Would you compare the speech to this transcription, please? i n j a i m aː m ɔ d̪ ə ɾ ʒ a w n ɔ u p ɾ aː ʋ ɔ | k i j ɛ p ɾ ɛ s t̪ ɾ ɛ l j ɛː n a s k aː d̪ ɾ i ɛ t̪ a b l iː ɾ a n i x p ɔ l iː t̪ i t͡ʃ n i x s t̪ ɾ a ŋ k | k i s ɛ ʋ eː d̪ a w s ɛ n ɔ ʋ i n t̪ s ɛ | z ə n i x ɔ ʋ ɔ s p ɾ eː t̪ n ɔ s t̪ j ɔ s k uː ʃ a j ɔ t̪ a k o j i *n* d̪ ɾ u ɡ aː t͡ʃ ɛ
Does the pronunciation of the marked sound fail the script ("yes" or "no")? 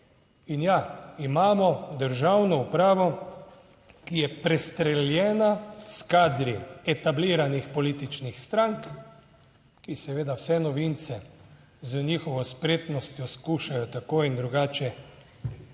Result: no